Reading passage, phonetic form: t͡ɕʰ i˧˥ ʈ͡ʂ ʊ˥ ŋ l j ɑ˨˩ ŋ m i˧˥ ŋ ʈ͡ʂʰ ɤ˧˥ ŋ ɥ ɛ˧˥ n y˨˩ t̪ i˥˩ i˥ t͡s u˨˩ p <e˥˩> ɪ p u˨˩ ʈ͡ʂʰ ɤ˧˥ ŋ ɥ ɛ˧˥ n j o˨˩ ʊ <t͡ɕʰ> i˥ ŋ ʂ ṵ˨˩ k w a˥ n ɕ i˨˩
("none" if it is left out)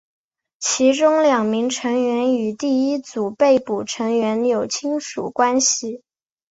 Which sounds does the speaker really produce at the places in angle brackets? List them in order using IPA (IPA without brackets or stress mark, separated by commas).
e˥˩, t͡ɕʰ